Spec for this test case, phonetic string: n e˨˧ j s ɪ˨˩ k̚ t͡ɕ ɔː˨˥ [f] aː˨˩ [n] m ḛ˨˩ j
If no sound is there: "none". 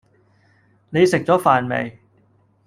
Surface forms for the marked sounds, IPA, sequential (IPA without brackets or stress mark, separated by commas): f, n